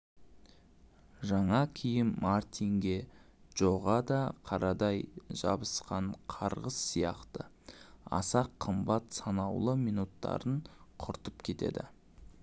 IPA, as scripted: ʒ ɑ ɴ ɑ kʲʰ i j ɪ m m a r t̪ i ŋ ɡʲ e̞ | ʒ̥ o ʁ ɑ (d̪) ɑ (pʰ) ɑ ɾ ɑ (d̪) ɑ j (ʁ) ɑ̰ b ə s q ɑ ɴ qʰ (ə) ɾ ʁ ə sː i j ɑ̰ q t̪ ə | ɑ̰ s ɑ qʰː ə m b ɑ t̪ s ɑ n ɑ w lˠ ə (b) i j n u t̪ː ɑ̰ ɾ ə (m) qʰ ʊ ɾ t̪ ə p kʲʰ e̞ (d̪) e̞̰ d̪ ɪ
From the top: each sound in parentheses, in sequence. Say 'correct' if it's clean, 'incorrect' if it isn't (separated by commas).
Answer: correct, incorrect, correct, incorrect, incorrect, incorrect, incorrect, incorrect